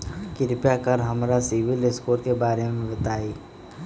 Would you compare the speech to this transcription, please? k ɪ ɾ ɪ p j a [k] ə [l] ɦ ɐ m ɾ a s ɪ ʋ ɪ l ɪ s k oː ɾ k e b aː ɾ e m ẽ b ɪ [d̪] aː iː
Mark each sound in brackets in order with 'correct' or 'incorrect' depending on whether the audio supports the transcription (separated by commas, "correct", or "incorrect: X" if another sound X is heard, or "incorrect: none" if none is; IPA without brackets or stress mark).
correct, incorrect: ɾ, incorrect: t̪